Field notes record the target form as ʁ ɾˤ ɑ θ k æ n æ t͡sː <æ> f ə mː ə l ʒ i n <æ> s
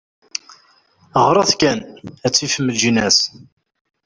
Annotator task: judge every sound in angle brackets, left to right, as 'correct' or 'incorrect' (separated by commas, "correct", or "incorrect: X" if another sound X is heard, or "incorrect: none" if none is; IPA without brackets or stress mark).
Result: incorrect: i, correct